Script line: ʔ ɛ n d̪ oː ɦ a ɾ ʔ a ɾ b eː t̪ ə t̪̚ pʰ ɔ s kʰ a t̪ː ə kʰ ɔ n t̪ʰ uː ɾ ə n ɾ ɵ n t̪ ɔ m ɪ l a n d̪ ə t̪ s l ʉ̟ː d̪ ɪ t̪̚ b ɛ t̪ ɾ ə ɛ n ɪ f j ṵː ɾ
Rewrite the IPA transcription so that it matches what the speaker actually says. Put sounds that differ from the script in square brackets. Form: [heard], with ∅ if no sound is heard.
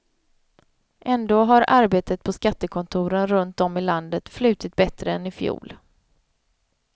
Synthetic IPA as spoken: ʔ ɛ n d̪ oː ɦ a ɾ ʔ a ɾ b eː t̪ ə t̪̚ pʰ ɔ s [k] a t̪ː ə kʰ ɔ n t̪ʰ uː ɾ ə n ɾ ɵ n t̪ ɔ m ɪ l a n d̪ ə t̪ [f] l ʉ̟ː [t̪] ɪ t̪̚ b ɛ t̪ ɾ ə ɛ n ɪ f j ṵː [l]